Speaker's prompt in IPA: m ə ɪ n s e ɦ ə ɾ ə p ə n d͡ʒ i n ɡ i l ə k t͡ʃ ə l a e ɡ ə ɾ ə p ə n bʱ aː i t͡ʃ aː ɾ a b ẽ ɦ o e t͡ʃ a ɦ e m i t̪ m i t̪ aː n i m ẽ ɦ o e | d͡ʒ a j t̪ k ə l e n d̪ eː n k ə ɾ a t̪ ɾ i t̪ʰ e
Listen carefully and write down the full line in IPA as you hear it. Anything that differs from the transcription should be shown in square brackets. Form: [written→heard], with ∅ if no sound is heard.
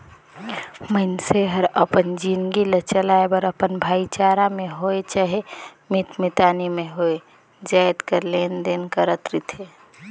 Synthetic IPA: m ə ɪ n s e ɦ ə ɾ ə p ə n d͡ʒ i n ɡ i l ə [k→∅] t͡ʃ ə l a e [ɡ→b] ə ɾ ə p ə n bʱ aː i t͡ʃ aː ɾ a [b→m] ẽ ɦ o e t͡ʃ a ɦ e m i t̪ m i t̪ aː n i m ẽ ɦ o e | d͡ʒ a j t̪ k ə l e n d̪ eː n k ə ɾ [a→ə] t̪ ɾ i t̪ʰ e